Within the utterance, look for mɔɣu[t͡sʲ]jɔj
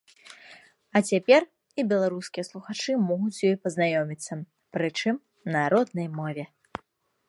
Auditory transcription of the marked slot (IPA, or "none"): t͡sʲ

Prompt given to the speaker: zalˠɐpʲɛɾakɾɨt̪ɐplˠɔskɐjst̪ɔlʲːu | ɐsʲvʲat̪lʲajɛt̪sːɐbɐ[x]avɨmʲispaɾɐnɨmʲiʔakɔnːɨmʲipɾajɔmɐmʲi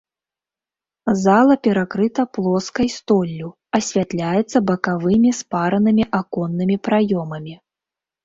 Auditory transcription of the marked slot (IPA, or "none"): k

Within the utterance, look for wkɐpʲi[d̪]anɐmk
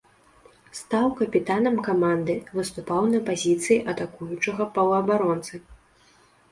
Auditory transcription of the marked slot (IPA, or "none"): t̪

